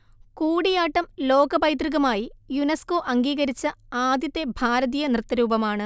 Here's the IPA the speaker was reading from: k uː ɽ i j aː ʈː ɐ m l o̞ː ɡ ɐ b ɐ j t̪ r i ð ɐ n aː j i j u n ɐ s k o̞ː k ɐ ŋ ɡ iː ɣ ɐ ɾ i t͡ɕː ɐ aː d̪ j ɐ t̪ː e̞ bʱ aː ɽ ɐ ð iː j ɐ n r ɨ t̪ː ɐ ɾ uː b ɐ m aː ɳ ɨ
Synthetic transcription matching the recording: k uː ɽ i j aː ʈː ɐ m l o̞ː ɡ ɐ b ɐ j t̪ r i ɣ ɐ m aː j i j u n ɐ s k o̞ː ʔ ɐ ŋ ɡ iː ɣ ɐ ɾ i t͡ɕː ɐ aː d̪ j ɐ t̪ː e̞ bʱ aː ɾ ɐ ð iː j ɐ n r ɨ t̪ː ɐ ɾ uː b ɐ m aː ɳ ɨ